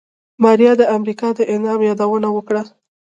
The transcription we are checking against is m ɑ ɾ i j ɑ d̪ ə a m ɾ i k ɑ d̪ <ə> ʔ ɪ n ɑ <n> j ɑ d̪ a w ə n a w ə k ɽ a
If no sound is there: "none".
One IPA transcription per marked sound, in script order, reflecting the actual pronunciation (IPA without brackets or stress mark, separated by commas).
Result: ə, m